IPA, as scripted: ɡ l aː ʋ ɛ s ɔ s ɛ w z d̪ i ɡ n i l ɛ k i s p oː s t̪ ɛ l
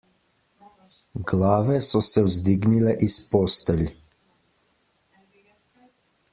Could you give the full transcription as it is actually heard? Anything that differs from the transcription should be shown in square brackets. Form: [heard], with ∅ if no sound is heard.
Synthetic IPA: ɡ l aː ʋ ɛ s ɔ s ɛ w z d̪ i ɡ n i l ɛ [ʔ] i s p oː s t̪ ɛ l